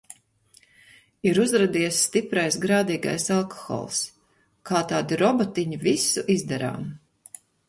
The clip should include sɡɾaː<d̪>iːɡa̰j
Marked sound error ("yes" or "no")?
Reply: no